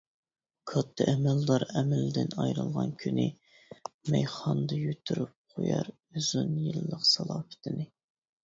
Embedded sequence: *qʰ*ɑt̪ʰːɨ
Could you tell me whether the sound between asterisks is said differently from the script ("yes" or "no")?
yes